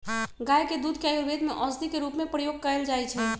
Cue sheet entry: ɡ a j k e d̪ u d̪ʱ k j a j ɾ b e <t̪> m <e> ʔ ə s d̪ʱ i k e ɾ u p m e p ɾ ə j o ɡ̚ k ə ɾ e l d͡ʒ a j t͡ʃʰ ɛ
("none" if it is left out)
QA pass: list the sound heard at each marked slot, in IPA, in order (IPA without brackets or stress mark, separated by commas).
d̪, e